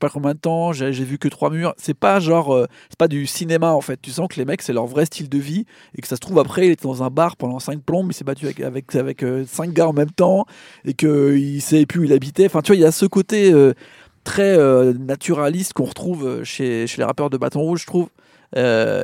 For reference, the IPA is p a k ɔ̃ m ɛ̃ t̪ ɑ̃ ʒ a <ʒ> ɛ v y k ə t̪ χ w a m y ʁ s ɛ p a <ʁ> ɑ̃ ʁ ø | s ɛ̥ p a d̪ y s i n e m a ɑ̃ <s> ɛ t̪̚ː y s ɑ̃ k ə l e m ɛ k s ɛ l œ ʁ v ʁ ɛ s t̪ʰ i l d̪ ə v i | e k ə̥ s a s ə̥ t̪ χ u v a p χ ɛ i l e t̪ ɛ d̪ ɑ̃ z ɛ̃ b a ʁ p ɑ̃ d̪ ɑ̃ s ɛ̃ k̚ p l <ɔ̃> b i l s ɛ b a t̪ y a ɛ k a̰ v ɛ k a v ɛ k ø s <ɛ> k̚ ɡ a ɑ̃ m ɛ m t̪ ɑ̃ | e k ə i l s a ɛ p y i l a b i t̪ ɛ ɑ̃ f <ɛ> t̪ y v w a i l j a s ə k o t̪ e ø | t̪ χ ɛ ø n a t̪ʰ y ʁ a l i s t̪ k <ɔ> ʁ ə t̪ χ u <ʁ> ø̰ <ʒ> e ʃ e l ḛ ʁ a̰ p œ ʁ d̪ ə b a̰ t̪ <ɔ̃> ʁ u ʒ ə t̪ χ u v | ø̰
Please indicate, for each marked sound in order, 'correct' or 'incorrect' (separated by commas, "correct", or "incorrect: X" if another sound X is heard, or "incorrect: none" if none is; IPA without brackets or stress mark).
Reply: correct, incorrect: ʒ, incorrect: f, correct, incorrect: ɛ̃, incorrect: ɛ̃, incorrect: ɔ̃, incorrect: v, incorrect: ʃ, correct